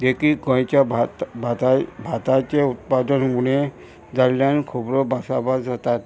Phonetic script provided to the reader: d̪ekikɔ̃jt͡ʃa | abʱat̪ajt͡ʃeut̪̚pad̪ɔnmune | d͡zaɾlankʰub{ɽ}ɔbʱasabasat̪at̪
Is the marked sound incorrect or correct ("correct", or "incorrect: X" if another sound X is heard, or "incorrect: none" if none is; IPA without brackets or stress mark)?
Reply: incorrect: ɾ